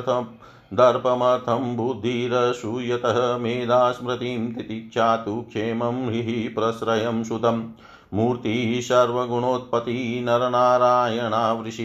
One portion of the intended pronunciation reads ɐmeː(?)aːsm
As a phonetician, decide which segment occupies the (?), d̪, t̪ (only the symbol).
d̪